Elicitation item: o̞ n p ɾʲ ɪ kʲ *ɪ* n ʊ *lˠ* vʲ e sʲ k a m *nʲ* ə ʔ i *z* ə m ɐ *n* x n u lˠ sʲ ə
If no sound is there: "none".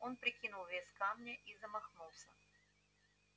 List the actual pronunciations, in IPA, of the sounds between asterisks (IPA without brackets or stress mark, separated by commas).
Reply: i, lˠ, nʲ, z, none